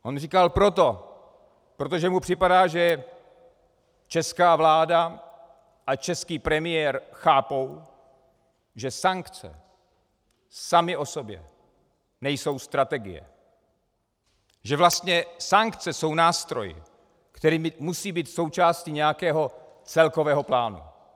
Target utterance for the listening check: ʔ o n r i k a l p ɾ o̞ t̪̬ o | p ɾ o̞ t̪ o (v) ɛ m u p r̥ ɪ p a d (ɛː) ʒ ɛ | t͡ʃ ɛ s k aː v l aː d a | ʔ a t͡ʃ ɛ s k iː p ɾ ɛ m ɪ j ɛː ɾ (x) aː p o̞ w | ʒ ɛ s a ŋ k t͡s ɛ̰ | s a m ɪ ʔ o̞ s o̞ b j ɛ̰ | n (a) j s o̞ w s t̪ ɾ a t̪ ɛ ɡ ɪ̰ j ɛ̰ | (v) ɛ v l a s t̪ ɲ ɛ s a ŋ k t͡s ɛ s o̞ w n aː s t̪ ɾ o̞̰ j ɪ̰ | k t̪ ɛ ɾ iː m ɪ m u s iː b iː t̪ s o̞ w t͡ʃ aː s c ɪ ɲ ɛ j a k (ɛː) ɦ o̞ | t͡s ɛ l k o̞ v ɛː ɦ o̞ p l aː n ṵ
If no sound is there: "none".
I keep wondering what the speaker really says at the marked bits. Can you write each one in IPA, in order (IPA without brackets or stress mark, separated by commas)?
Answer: ʒ, aː, x, ɛ, ʒ, ɛː